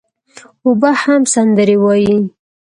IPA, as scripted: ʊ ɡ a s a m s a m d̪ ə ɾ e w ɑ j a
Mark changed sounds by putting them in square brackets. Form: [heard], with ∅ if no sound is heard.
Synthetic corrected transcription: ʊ [b] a [h] a m s a [n] d̪ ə ɾ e w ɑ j [i]